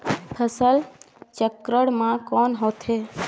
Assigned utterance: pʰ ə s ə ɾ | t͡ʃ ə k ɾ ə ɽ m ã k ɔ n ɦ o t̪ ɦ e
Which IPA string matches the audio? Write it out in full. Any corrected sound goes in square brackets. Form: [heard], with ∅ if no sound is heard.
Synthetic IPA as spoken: pʰ ə s ə [l] | t͡ʃ ə k ɾ ə ɽ m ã k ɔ n ɦ o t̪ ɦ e

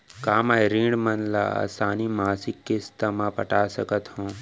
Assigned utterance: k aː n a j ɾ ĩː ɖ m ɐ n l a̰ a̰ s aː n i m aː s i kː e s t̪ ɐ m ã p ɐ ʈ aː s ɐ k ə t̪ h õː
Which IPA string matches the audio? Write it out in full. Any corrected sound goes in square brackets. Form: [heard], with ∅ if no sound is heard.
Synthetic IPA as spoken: k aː [m] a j ɾ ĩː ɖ m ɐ n l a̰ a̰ s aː n i m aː s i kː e s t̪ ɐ m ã p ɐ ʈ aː s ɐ k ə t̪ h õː

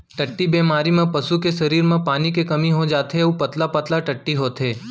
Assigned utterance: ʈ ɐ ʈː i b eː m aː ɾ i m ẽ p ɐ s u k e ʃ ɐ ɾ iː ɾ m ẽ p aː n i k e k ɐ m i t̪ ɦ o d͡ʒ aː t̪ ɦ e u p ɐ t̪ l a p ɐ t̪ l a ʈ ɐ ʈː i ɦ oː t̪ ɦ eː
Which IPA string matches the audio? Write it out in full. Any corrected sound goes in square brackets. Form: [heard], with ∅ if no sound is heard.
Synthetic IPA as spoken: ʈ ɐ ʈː i b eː m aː ɾ i m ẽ p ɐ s u k e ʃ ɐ ɾ iː ɾ m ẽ p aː n i k e k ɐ m i [∅] ɦ o d͡ʒ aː t̪ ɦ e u p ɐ t̪ l a p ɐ t̪ l a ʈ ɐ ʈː i ɦ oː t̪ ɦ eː

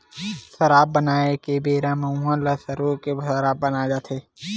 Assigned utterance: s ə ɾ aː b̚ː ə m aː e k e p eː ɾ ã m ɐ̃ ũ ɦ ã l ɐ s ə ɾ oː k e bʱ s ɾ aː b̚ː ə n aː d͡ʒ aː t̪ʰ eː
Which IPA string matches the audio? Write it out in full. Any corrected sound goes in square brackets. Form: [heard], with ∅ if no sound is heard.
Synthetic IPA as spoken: s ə ɾ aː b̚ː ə [n] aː e k e [b] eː ɾ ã m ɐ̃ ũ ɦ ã l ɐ s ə ɾ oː k e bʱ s ɾ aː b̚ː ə n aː d͡ʒ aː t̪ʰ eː

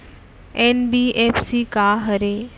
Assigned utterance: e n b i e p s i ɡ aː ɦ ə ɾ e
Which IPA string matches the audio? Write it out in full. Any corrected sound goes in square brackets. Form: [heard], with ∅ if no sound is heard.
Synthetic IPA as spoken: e n b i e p s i [k] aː ɦ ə ɾ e

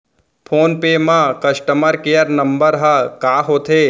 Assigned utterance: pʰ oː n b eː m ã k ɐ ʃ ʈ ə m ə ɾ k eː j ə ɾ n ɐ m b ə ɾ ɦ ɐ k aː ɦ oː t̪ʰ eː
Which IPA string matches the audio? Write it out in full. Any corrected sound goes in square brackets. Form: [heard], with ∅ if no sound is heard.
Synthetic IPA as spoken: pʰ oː n [p] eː m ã k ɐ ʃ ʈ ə m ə ɾ k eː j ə ɾ n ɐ m b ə ɾ ɦ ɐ k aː ɦ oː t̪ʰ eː

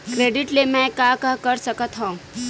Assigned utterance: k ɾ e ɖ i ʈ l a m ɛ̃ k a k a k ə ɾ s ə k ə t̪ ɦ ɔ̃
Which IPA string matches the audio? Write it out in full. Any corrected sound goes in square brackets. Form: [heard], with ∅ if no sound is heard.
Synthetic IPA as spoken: k ɾ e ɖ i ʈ l [e] m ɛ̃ k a k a k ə ɾ s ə k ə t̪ ɦ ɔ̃

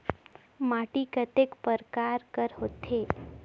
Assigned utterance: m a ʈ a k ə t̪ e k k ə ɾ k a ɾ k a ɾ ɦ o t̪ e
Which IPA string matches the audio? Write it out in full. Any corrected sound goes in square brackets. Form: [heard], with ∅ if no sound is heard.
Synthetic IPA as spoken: m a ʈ [i] k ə t̪ e k [p] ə ɾ k a ɾ k [ə] ɾ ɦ o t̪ e

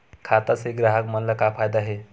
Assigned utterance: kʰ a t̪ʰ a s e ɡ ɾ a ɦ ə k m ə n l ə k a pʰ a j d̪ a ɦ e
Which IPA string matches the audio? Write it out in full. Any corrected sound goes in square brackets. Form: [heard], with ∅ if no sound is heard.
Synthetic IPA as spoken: kʰ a [t̪] a s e ɡ ɾ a ɦ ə k m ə n l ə k a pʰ a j d̪ a ɦ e

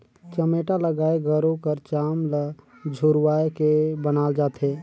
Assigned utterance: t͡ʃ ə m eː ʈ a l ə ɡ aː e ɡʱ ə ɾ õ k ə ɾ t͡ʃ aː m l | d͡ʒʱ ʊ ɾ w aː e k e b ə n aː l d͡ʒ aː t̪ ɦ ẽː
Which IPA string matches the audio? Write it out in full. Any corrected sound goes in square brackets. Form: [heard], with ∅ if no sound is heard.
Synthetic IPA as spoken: t͡ʃ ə m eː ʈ a l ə ɡ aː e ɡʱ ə ɾ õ k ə ɾ t͡ʃ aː m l | d͡ʒʱ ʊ ɾ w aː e k e b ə n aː l d͡ʒ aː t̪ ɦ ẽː

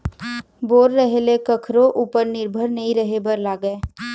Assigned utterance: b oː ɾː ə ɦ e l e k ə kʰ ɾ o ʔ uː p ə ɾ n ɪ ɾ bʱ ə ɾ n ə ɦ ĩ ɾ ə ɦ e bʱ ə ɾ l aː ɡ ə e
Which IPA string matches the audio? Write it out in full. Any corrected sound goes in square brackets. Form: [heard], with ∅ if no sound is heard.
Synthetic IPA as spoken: b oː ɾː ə ɦ e l e k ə kʰ ɾ o ʔ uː p ə ɾ n ɪ ɾ bʱ ə ɾ n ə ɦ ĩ ɾ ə ɦ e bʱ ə ɾ l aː ɡ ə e

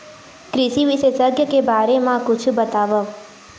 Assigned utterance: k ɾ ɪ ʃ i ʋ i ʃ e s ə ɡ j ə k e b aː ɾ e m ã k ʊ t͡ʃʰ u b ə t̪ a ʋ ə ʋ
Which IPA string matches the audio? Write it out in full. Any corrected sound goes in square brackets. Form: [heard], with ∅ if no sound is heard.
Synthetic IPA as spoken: k ɾ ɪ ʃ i ʋ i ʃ e s ə ɡ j ə k e b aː ɾ e m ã k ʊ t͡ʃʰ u b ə t̪ a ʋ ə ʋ

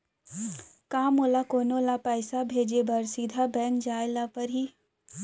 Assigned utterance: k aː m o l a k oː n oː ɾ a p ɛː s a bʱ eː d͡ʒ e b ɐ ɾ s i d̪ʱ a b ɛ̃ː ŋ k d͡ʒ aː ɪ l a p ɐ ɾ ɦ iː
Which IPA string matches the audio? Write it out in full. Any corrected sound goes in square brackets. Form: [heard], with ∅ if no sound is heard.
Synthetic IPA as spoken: k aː m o l a k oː n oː [l] a p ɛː s a bʱ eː d͡ʒ e b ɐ ɾ s i d̪ʱ a b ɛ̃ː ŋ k d͡ʒ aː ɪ l a p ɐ ɾ ɦ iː

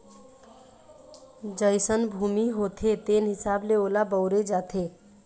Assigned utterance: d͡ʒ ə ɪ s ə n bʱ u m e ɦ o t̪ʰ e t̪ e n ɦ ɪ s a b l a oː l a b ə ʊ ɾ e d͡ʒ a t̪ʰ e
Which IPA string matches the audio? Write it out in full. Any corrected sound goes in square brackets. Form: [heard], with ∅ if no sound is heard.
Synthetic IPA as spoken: d͡ʒ ə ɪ s ə n bʱ u m [i] ɦ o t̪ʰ e t̪ e n ɦ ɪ s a b l [e] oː l a b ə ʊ ɾ e d͡ʒ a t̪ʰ e

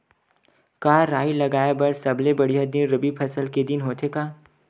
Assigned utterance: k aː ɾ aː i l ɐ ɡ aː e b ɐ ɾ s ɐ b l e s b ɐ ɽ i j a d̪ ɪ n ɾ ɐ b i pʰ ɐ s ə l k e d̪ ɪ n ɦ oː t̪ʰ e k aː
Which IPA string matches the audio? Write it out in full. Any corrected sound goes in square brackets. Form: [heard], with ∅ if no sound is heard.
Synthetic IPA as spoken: k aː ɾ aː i l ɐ ɡ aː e b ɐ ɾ s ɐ b l e [∅] b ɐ ɽ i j a d̪ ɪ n ɾ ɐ b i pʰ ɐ s ə l k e d̪ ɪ n ɦ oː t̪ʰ e k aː

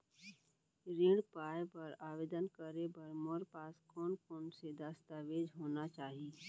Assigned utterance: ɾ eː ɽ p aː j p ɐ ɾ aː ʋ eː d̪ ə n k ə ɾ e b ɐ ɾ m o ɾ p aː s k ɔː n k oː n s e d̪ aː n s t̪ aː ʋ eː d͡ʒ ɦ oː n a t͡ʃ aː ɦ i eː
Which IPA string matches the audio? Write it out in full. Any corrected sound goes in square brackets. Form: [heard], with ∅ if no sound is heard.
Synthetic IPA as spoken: ɾ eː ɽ p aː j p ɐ ɾ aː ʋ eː d̪ ə n k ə ɾ e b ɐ ɾ m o ɾ p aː s k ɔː n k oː n s e d̪ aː [∅] s t̪ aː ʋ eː d͡ʒ ɦ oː n a t͡ʃ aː ɦ i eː

